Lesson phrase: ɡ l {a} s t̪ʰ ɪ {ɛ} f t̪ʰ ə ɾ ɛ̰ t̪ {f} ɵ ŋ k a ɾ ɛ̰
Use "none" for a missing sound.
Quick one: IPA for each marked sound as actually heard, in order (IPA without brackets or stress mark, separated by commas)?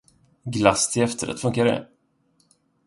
a, ɛ, f